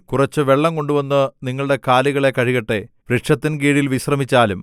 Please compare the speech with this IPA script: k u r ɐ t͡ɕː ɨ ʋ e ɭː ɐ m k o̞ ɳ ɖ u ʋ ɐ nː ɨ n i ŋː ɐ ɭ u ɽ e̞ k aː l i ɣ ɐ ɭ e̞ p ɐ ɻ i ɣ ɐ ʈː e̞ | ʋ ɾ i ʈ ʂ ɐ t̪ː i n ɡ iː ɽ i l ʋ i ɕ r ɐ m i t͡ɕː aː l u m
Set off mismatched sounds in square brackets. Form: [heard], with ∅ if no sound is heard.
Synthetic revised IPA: k u r ɐ t͡ɕː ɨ ʋ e ɭː ɐ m k o̞ ɳ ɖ u ʋ ɐ nː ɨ n i ŋː ɐ ɭ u ɽ e̞ k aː l i ɣ ɐ ɭ e̞ [k] ɐ ɻ i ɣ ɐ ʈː e̞ | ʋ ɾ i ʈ ʂ ɐ t̪ː i n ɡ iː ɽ i l ʋ i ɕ r ɐ m i t͡ɕː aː l u m